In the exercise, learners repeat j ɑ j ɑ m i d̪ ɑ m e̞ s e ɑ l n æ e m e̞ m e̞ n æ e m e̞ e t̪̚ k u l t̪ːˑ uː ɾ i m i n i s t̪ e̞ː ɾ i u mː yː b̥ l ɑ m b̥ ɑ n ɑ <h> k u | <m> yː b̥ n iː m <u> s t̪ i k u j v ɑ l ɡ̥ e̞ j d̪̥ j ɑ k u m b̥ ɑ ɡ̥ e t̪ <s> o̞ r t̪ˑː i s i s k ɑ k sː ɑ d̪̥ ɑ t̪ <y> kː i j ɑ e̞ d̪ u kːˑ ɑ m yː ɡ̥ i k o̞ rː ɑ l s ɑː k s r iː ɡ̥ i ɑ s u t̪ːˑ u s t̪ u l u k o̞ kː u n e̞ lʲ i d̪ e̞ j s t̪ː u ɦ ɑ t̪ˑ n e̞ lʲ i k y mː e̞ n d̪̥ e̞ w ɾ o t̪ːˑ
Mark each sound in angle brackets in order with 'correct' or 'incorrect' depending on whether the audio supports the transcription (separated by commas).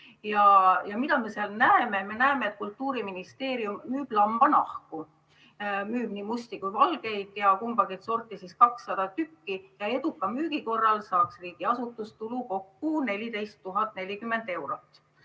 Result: correct, correct, correct, correct, correct